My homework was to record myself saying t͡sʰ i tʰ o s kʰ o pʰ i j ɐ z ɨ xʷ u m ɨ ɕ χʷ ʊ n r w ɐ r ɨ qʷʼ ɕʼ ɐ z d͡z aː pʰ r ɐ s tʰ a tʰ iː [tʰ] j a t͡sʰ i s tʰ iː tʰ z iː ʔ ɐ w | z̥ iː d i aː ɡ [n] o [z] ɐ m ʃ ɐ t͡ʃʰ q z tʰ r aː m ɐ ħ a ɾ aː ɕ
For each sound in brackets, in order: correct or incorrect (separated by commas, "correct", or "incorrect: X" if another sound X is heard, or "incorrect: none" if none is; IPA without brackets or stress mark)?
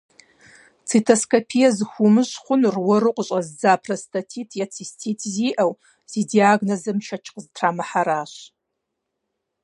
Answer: correct, correct, correct